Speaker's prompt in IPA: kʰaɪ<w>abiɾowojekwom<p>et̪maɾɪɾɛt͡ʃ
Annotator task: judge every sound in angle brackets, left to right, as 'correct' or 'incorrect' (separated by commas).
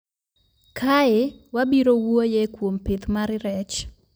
correct, correct